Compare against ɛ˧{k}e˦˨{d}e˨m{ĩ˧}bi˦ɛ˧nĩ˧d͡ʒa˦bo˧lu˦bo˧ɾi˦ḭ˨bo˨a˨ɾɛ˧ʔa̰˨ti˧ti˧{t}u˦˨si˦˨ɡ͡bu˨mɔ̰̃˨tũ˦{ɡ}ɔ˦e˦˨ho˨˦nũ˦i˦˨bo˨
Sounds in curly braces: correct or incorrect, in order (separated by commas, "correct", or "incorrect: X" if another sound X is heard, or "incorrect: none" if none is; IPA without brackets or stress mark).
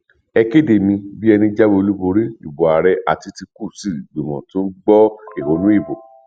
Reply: correct, correct, correct, incorrect: k, incorrect: ɡ͡b